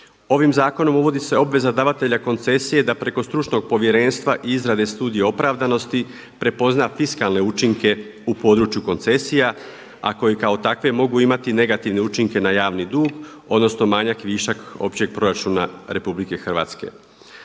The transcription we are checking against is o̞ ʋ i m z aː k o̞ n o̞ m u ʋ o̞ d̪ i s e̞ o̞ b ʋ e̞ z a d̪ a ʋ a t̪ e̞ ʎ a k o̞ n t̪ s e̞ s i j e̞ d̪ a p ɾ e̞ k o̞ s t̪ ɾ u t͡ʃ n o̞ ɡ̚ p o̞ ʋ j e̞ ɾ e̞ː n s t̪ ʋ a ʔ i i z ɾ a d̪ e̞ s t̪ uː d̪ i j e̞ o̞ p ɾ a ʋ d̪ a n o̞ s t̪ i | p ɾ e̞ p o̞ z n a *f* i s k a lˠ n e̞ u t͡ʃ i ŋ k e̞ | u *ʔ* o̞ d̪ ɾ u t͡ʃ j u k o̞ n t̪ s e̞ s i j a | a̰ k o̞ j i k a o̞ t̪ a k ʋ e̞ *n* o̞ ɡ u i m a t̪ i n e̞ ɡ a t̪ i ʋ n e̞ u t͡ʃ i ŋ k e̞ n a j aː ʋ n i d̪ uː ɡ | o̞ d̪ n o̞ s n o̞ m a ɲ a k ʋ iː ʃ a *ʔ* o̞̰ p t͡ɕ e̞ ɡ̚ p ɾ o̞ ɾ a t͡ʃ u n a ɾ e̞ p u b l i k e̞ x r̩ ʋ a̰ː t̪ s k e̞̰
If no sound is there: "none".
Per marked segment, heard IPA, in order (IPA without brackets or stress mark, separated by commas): f, p, m, k